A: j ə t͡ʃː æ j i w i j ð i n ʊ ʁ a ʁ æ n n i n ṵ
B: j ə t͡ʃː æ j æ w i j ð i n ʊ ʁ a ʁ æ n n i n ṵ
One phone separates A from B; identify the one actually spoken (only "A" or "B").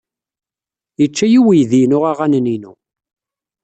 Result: A